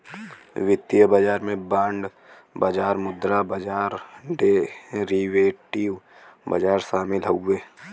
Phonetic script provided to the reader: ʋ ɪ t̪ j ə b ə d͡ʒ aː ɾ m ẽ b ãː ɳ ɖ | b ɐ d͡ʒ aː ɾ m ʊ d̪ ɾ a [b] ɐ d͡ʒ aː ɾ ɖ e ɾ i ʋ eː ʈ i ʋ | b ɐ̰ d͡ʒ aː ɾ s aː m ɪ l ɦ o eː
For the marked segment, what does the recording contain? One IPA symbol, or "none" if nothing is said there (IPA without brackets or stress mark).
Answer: b